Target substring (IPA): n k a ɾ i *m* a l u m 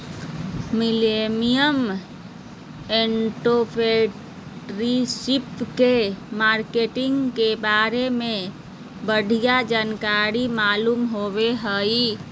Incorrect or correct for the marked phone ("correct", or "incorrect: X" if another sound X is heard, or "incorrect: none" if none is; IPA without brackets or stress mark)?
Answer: correct